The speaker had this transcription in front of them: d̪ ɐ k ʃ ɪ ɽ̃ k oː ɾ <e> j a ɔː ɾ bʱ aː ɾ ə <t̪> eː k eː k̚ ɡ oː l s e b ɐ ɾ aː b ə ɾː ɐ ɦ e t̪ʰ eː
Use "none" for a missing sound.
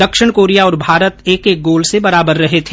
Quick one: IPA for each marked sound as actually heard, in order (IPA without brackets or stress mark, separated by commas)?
i, t̪